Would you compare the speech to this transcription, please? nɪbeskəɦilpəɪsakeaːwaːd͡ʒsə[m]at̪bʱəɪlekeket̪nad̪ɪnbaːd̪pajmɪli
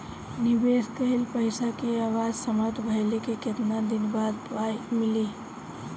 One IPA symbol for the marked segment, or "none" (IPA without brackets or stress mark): m